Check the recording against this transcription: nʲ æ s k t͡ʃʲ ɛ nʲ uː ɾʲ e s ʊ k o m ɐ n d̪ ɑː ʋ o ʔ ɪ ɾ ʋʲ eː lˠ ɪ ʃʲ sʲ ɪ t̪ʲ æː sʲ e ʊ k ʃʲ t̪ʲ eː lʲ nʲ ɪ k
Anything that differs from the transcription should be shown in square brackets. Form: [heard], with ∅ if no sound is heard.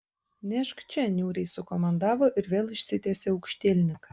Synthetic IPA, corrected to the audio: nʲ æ [ʃ] k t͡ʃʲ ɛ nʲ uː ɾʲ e s ʊ k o m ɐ n d̪ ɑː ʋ o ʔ ɪ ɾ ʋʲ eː lˠ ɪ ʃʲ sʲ ɪ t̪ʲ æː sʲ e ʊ k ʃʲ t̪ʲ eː lʲ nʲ ɪ k